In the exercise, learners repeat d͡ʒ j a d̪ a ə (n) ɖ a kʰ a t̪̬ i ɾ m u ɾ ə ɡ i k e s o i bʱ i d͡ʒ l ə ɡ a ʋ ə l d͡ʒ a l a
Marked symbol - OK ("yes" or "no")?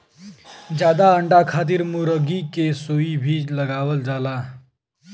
no